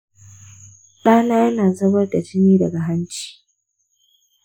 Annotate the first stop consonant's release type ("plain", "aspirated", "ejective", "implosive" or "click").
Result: implosive